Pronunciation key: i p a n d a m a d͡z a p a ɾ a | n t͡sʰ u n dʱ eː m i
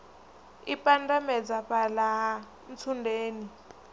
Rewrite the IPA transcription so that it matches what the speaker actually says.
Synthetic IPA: i p a n d a m ɛ d͡z a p a l a | n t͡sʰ u n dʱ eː n i